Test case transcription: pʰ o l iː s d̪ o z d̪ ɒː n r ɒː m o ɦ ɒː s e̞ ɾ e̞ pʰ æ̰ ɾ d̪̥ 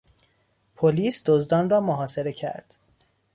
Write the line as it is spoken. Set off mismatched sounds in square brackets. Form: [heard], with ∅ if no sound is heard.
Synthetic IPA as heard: pʰ o l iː s d̪ o z d̪ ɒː n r ɒː m o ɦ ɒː s e̞ ɾ e̞ [cʰ] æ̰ ɾ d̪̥